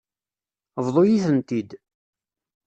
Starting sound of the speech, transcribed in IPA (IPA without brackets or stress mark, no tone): v